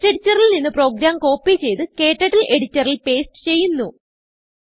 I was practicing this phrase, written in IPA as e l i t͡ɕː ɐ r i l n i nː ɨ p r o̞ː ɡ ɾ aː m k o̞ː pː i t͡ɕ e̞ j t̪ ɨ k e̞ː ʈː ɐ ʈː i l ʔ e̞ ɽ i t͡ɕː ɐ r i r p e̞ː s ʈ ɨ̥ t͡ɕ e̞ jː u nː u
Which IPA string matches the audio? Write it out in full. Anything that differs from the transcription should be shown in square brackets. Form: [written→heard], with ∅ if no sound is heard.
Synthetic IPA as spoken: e [l→ɽ] i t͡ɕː ɐ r i l n i nː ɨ p r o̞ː ɡ ɾ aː m k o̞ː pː i t͡ɕ e̞ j t̪ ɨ k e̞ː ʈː ɐ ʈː i l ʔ e̞ ɽ i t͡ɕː ɐ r i [r→l] p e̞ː s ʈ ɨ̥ t͡ɕ e̞ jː u nː u

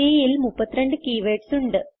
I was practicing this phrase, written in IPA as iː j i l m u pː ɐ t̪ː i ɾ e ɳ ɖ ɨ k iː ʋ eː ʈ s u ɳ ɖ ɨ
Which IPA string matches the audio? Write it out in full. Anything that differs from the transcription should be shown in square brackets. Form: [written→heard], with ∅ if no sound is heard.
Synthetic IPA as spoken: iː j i l m u pː ɐ t̪ː i ɾ e ɳ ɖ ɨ k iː ʋ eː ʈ s u ɳ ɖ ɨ

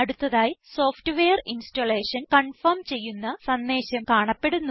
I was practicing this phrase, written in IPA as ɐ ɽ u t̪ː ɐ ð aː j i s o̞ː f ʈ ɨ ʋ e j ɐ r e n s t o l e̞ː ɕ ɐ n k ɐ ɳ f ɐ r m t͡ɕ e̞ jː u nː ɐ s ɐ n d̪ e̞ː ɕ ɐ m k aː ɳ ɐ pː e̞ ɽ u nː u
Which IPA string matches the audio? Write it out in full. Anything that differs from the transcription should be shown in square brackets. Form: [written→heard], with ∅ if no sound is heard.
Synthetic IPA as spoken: ɐ ɽ u t̪ː ɐ ð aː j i s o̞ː f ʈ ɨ ʋ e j ɐ r [e→i] n s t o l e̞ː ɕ ɐ n k ɐ ɳ f ɐ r m t͡ɕ e̞ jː u nː ɐ s ɐ n d̪ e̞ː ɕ ɐ m k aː ɳ ɐ pː e̞ ɽ u nː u

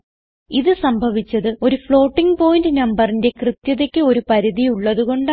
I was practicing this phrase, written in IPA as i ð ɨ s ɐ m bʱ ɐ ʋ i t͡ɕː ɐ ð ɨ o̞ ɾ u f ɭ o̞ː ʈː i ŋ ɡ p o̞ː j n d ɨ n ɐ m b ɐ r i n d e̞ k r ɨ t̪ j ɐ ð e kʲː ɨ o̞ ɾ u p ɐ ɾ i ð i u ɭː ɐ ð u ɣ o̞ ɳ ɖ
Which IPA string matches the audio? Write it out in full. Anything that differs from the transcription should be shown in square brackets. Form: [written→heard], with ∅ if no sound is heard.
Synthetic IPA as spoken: i ð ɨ s ɐ m bʱ ɐ ʋ i t͡ɕː ɐ ð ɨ o̞ ɾ u f ɭ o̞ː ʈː i ŋ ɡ p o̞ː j n d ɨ n ɐ m b ɐ r i n d e̞ k r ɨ t̪ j ɐ ð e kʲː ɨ o̞ ɾ u p ɐ ɾ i ð i u ɭː ɐ ð u ɣ o̞ ɳ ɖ

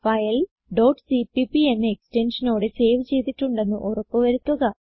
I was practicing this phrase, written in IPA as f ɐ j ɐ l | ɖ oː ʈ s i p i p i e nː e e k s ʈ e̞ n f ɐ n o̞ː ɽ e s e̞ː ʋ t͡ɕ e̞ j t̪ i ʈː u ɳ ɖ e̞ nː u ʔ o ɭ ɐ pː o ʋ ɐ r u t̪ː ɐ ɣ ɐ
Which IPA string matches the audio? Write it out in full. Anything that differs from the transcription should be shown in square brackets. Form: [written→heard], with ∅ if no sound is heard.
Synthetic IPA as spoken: f ɐ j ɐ l | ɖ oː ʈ s i p i p i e nː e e k s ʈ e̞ n [f→ʂ] ɐ n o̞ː ɽ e s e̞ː ʋ t͡ɕ e̞ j t̪ i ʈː u ɳ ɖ e̞ nː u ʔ o [ɭ→r] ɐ pː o ʋ ɐ [r→ɾ] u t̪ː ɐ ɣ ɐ

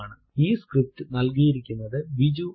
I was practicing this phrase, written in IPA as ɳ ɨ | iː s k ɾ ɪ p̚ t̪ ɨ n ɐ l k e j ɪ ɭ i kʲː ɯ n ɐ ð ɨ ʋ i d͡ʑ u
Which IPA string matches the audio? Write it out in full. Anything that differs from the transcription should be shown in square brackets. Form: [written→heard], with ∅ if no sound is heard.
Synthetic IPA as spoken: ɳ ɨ | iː s k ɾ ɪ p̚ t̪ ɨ n ɐ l k [e→i] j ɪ [ɭ→ɾ] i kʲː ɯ [n→nː] ɐ ð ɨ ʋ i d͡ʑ u

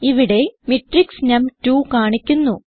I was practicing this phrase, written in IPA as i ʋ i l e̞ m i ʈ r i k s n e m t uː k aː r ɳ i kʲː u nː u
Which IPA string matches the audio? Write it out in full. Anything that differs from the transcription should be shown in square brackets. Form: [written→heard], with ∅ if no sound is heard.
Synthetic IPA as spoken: i ʋ i [l→ɽ] e̞ m i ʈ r i k s n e m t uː k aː [r→∅] ɳ i kʲː u nː u

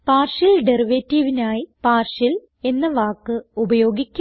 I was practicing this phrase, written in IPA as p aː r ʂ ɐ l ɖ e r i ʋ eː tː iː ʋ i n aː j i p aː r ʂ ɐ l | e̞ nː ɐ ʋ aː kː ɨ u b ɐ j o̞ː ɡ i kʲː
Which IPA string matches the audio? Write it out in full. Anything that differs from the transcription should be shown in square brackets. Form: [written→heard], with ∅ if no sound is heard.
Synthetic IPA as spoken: p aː r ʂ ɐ l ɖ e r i ʋ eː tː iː ʋ i n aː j i p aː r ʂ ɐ l | e̞ nː ɐ ʋ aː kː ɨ u b ɐ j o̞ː ɡ i kʲː

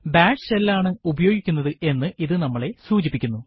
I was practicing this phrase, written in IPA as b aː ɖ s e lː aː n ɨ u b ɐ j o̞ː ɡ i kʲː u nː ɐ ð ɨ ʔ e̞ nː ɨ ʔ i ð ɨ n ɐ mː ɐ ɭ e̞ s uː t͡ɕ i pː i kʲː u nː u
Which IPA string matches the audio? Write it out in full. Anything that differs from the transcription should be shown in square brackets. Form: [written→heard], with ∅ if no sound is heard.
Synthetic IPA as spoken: b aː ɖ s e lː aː [n→ɳ] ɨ u b ɐ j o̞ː ɡ i kʲː u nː ɐ ð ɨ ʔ e̞ nː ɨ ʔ i ð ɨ n ɐ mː ɐ ɭ e̞ s uː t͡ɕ i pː i kʲː u nː u

